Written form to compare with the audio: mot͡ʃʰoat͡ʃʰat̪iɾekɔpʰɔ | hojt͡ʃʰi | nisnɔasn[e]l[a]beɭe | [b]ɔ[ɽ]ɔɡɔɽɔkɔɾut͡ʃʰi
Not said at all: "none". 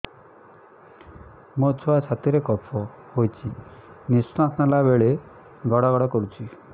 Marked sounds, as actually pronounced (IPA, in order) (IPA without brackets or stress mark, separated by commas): a, a, ɡ, ɽ